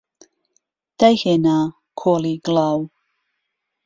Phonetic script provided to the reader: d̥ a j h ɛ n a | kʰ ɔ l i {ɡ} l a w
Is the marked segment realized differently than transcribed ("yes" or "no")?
no